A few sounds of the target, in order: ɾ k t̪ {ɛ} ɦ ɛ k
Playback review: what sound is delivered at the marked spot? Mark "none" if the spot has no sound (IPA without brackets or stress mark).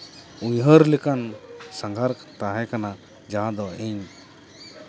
a